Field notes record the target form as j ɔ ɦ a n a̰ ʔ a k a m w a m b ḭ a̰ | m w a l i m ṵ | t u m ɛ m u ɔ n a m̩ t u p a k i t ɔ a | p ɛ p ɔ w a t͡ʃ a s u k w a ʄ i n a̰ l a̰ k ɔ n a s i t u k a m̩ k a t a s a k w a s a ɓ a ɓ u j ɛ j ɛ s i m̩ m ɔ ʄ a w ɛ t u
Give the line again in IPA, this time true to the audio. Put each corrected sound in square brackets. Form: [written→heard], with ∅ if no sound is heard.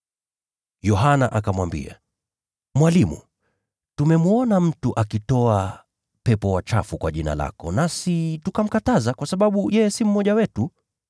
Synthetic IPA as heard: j ɔ ɦ a n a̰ ʔ a k a m w a m b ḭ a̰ | m w a l i m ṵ | t u m ɛ m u ɔ n a m̩ t u [p→ʔ] a k i t ɔ a | p ɛ p ɔ w a t͡ʃ a [s→f] u k w a ʄ i n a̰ l a̰ k ɔ n a s i t u k a m̩ k a t a [s→z] a k w a s a ɓ a ɓ u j ɛ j ɛ s i m̩ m ɔ ʄ a w ɛ t u

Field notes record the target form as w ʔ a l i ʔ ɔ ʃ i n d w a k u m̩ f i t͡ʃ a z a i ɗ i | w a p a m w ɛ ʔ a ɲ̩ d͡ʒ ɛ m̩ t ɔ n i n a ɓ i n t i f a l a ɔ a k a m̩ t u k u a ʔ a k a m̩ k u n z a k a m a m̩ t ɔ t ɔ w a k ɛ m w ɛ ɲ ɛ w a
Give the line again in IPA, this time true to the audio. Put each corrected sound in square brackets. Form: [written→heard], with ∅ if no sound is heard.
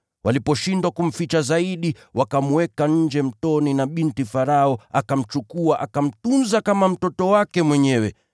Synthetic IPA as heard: w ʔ a l i [ʔ→p] ɔ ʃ i n d w a k u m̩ f i t͡ʃ a z a i ɗ i | w a [p→k] a m w ɛ [ʔ→k] a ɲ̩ d͡ʒ ɛ m̩ t ɔ n i n a ɓ i n t i f a [l→ɾ] a ɔ a k a m̩ [t→t͡ʃ] u k u a ʔ a k a m̩ [k→t] u n z a k a m a m̩ t ɔ t ɔ w a k ɛ m w ɛ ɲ ɛ w [a→ɛ]

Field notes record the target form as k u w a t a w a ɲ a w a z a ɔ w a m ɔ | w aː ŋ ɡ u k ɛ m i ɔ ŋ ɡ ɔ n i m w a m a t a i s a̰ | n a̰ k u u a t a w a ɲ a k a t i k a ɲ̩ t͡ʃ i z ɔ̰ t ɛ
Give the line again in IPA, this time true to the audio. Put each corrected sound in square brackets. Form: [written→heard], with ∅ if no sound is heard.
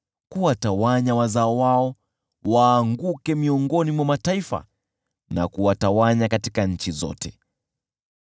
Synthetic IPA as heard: k u w a t a w a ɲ a w a z a ɔ w a [m→∅] ɔ | w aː ŋ ɡ u k ɛ m i ɔ ŋ ɡ ɔ n i m w a m a t a i [s→f] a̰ | n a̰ k u [u→w] a t a w a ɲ a k a t i k a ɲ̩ t͡ʃ i z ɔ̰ t ɛ

